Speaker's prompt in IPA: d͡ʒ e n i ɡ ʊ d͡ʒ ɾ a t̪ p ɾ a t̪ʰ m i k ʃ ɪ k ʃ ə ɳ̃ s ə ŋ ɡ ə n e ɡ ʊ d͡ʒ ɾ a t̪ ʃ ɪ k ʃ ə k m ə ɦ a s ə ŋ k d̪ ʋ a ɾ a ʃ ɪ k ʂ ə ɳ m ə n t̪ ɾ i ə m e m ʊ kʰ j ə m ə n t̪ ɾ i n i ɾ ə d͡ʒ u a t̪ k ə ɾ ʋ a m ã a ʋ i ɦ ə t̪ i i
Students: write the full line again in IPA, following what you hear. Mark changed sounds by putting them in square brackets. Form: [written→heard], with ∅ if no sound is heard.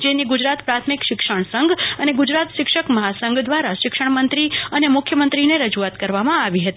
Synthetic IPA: d͡ʒ e n i ɡ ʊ d͡ʒ ɾ a t̪ p ɾ a t̪ʰ m i k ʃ ɪ k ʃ ə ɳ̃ s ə ŋ ɡ ə n e ɡ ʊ d͡ʒ ɾ a t̪ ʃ ɪ k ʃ ə k m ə ɦ a s ə ŋ [k→ɡ] d̪ ʋ a ɾ a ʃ ɪ k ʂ ə ɳ m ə n t̪ ɾ i ə [m→n] e m ʊ kʰ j ə m ə n t̪ ɾ i n [i→e] ɾ ə d͡ʒ u a t̪ k ə ɾ ʋ a m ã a ʋ i ɦ ə t̪ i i

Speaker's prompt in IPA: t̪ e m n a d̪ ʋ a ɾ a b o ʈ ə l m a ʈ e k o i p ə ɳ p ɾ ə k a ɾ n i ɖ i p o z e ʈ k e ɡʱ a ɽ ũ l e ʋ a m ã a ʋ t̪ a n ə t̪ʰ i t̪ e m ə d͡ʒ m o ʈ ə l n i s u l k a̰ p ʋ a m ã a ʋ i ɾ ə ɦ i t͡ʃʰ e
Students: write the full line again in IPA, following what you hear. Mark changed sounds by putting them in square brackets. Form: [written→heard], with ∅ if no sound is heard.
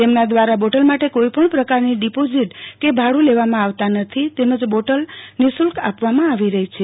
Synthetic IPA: t̪ e m n a d̪ ʋ a ɾ a b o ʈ ə l m a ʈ e k o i p ə ɳ p ɾ ə k a ɾ n i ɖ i p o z [e→i] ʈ k e [ɡʱ→bʱ] a ɽ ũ l e ʋ a m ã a ʋ t̪ a n ə t̪ʰ i t̪ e m ə d͡ʒ [m→b] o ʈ ə l n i s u l k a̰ p ʋ a m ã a ʋ i ɾ ə ɦ i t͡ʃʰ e

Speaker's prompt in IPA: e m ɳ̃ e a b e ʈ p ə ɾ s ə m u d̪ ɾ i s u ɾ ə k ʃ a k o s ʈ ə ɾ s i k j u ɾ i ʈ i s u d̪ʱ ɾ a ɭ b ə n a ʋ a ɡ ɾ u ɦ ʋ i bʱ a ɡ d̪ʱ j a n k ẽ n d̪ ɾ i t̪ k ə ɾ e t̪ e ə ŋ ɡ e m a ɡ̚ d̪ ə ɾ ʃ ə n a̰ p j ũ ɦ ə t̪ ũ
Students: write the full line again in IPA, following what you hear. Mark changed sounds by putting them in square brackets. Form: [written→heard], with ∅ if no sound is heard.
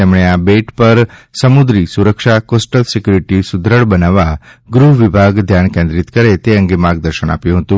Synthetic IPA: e m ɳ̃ e a b e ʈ p ə ɾ s ə m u d̪ ɾ i s u ɾ ə k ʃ a k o s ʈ ə [ɾ→l] s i k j u ɾ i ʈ i s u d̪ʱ ɾ [a→ə] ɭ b ə n a ʋ a ɡ ɾ u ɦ ʋ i bʱ a ɡ d̪ʱ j a n k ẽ n d̪ ɾ i t̪ k ə ɾ e t̪ e ə ŋ ɡ e m a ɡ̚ d̪ ə ɾ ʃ ə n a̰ p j ũ ɦ ə t̪ ũ

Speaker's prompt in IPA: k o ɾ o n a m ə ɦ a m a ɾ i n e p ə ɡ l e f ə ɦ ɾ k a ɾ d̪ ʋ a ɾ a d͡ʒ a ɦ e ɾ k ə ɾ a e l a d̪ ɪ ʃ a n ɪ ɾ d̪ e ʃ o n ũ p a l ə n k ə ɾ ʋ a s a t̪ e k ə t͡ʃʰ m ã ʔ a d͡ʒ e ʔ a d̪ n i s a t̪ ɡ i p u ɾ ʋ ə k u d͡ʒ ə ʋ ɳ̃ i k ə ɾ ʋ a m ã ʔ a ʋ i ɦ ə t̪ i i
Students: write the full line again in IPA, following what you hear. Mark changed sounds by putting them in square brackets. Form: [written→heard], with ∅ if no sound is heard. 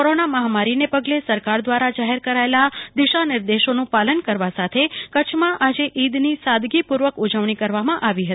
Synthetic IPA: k o ɾ o n a m ə ɦ a m a ɾ i n e p ə ɡ l e [f→s] ə [ɦ→∅] ɾ k a ɾ d̪ ʋ a ɾ a d͡ʒ a ɦ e ɾ k ə ɾ a e l a d̪ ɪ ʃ a n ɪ ɾ d̪ e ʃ o n ũ p a l ə n k ə ɾ ʋ a s a [t̪→t̪ʰ] e k ə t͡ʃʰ m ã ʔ a d͡ʒ e ʔ [a→i] d̪ n i s a [t̪→d̪] ɡ i p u ɾ ʋ ə k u d͡ʒ ə ʋ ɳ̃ i k ə ɾ ʋ a m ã ʔ a ʋ i ɦ ə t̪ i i

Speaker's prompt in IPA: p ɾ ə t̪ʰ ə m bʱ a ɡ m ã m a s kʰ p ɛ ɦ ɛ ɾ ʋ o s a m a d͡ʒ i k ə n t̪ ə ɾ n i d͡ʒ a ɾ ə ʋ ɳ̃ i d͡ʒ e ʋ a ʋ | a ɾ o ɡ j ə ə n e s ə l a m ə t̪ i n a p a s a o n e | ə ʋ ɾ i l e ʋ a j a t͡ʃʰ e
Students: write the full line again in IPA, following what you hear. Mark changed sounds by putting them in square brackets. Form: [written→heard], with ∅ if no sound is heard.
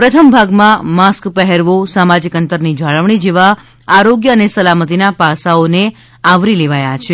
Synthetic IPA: p ɾ ə t̪ʰ ə m bʱ a ɡ m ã m a s [kʰ→k] p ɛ ɦ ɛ ɾ ʋ o s a m a d͡ʒ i k ə n t̪ ə ɾ n i d͡ʒ a [ɾ→ɭ] ə ʋ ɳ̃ i d͡ʒ e ʋ a [ʋ→∅] | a ɾ o ɡ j ə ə n e s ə l a m ə t̪ i n a p a s a o n e | [ə→a] ʋ ɾ i l e ʋ a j a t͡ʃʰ e

